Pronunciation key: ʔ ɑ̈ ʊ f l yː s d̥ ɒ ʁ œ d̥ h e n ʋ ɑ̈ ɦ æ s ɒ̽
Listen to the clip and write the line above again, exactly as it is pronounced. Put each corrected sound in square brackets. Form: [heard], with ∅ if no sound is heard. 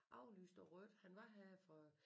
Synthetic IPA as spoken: ʔ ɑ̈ ʊ [∅] l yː s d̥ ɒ ʁ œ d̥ h [æ] n ʋ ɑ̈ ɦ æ [f] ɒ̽